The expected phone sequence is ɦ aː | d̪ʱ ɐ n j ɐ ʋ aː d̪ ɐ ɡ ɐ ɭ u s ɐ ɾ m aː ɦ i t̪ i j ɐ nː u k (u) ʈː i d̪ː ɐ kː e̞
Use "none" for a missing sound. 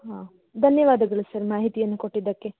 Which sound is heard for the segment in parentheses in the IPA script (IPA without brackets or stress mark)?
o